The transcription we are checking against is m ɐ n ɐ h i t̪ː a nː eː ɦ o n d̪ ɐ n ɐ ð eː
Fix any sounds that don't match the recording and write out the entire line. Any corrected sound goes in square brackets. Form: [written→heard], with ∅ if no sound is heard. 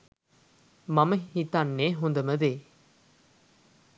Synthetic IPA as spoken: m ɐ [n→m] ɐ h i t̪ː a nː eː ɦ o n d̪ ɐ [n→m] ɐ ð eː

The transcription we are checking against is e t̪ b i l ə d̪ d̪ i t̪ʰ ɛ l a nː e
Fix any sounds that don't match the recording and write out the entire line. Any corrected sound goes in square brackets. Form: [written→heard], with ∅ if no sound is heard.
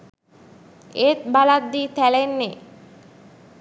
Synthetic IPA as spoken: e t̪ b [i→a] l [ə→a] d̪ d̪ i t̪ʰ ɛ l [a→e] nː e

